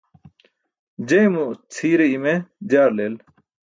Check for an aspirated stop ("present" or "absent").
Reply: present